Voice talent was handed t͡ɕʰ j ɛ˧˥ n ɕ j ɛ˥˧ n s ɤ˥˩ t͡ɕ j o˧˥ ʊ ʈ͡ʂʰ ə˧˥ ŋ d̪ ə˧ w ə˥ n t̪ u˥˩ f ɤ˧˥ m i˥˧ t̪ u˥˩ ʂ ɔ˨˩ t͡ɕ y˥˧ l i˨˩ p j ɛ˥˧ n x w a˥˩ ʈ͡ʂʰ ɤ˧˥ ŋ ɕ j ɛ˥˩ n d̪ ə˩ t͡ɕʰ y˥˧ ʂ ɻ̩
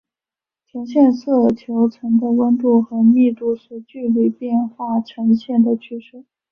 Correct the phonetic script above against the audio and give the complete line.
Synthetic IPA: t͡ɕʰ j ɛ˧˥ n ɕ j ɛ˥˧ n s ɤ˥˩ t͡ɕʰ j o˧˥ ʊ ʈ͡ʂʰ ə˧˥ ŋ d̪ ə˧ w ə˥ n t̪ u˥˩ x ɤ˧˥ m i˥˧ t̪ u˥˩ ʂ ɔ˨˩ t͡ɕ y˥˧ l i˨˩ p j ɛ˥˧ n x w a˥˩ ʈ͡ʂʰ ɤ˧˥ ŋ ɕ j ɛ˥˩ n d̪ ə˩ t͡ɕʰ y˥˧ ʂ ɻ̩